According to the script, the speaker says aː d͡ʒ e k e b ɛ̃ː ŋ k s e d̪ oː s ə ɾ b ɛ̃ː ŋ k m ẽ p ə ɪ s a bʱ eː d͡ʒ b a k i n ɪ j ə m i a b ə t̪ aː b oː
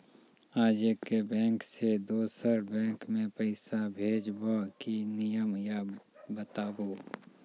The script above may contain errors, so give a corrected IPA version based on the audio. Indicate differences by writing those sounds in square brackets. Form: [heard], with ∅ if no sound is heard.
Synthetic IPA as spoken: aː d͡ʒ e k e b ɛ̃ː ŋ k s e d̪ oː s ə ɾ b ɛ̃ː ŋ k m ẽ p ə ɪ s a bʱ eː d͡ʒ b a k i n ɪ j ə m [j] a b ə t̪ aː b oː